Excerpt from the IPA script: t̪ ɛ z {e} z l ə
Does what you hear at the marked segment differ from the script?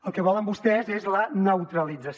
no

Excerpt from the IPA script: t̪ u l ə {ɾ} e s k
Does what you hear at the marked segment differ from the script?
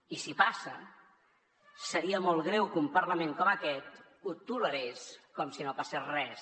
no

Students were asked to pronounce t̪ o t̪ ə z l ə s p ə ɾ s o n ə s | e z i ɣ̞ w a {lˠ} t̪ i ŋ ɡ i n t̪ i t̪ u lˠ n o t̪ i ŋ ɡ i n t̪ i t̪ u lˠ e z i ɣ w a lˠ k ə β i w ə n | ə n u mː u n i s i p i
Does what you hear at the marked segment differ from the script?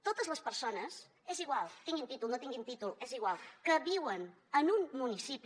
no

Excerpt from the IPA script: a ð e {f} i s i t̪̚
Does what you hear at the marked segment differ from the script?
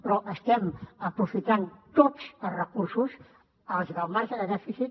no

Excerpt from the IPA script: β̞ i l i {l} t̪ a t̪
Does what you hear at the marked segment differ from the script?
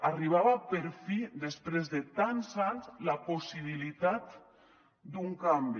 yes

